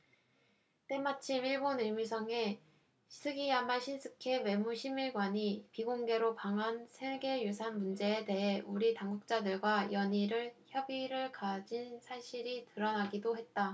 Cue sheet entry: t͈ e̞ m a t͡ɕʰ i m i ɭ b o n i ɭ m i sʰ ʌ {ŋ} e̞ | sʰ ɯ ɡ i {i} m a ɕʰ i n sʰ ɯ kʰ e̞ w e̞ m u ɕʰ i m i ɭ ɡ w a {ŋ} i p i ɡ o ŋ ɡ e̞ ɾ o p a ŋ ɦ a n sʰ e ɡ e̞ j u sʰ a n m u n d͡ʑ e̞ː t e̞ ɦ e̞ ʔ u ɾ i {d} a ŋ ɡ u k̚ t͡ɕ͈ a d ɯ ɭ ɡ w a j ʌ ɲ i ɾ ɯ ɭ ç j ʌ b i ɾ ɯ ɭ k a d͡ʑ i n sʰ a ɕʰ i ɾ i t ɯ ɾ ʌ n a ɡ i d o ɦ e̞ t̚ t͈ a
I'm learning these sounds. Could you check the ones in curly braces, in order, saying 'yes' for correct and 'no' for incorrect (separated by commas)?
yes, no, no, no